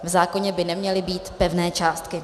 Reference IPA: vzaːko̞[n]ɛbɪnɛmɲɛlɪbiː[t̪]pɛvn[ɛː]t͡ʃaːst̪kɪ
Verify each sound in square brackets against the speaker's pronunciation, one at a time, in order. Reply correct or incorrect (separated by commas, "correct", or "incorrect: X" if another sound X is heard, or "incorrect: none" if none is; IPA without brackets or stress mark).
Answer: incorrect: ɲ, correct, correct